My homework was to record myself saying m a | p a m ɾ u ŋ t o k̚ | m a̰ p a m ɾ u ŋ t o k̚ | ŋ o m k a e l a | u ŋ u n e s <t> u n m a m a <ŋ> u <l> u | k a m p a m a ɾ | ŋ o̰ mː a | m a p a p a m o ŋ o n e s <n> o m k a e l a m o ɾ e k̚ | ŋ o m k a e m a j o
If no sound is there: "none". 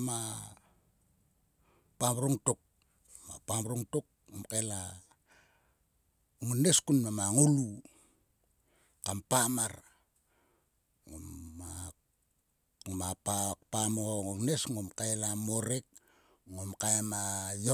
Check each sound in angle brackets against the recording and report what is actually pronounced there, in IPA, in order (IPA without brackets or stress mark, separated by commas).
k, ŋ, l, ŋ